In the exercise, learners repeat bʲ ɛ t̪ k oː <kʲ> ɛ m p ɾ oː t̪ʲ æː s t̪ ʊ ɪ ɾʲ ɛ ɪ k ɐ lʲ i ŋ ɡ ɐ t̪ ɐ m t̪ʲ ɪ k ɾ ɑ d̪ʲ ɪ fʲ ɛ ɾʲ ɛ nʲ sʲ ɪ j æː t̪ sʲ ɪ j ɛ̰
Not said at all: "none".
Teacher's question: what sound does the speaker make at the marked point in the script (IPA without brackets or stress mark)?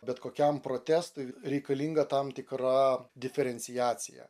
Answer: kʲ